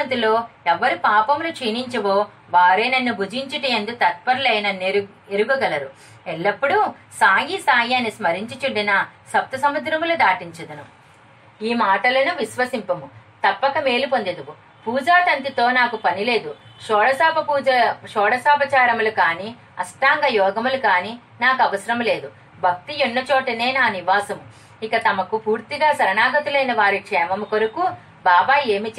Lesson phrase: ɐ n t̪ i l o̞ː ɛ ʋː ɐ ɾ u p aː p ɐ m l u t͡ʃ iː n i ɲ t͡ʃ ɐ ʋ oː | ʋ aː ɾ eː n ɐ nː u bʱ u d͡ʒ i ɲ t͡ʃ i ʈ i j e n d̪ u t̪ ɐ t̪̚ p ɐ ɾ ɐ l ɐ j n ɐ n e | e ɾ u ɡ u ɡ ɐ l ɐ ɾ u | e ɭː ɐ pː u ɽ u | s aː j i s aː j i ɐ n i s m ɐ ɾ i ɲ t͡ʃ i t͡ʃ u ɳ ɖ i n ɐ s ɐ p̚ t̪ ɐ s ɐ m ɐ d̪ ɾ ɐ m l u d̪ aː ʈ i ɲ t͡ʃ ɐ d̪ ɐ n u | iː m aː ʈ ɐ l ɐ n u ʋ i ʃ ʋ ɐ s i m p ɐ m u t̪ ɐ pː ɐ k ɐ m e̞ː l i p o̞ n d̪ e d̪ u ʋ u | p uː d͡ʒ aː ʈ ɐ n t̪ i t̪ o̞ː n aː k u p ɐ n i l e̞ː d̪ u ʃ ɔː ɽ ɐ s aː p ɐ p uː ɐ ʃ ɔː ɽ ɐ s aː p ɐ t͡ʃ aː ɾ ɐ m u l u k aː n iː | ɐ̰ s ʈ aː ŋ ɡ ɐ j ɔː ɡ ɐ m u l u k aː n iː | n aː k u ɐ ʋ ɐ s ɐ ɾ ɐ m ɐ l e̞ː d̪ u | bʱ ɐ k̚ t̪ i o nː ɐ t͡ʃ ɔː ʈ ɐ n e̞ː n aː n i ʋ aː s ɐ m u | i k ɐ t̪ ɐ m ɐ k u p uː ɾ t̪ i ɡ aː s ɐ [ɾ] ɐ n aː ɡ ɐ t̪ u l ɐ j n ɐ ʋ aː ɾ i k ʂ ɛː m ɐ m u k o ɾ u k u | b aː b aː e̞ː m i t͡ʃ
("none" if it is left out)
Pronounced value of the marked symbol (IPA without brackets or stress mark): ɾ